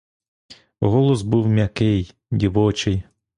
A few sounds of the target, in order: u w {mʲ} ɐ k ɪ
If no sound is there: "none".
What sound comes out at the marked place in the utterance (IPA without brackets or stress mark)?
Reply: mʲ